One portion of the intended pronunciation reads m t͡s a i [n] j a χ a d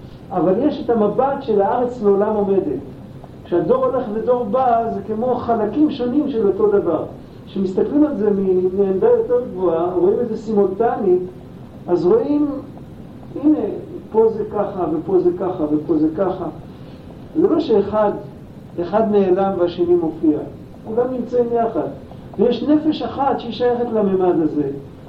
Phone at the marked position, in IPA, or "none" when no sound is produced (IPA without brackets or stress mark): m